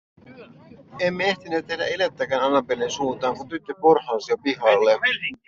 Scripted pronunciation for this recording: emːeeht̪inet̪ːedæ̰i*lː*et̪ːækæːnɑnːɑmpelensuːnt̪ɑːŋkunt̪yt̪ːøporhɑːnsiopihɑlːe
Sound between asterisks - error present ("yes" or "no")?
yes